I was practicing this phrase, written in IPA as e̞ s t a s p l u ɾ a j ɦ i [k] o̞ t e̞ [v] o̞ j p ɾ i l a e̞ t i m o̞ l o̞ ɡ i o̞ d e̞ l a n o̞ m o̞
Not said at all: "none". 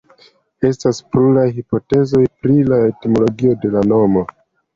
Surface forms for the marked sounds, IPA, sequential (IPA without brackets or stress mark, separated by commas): p, z